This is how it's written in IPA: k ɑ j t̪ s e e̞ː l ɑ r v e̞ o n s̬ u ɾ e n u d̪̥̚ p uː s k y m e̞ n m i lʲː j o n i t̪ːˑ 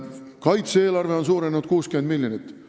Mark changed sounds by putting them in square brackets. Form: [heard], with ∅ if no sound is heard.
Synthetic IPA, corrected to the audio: k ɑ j t̪ s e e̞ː l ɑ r v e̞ o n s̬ [uː] ɾ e n u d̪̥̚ [k] uː s k y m e̞ n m i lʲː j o n i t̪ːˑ